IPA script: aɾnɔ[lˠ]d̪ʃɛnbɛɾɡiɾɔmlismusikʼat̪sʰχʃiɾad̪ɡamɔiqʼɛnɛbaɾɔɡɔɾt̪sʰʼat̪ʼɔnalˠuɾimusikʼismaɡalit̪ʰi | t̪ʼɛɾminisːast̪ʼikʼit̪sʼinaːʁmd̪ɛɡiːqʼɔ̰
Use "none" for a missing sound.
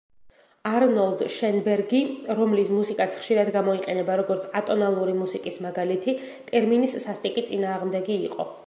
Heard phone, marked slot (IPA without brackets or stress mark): lˠ